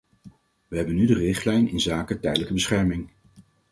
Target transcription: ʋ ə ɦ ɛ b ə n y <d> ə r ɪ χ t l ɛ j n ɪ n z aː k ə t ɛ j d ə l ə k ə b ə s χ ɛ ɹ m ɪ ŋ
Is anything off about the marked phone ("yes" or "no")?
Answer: no